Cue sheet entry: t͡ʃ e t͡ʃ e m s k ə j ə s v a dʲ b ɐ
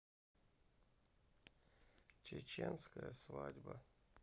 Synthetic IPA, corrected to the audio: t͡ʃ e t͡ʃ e n s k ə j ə s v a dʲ b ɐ